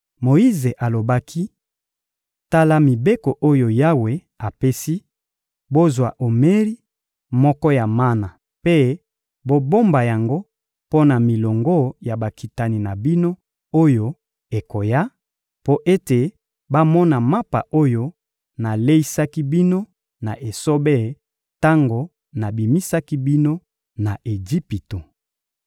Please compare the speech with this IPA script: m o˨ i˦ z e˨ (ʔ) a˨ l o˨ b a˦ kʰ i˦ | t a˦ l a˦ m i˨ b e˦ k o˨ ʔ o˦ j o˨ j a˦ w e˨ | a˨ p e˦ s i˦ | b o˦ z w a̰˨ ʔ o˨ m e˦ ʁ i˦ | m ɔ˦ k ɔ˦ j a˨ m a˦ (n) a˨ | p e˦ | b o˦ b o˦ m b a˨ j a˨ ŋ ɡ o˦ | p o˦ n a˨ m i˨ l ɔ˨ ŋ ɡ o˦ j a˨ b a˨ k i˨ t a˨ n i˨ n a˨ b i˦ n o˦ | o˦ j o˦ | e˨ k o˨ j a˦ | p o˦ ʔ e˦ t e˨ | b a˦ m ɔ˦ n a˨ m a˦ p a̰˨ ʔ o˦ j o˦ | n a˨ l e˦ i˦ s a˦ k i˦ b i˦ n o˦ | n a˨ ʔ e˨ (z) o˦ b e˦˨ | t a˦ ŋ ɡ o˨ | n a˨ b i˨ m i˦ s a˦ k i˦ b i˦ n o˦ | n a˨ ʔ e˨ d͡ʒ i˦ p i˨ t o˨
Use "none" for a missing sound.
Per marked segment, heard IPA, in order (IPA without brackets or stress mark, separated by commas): ʔ, n, s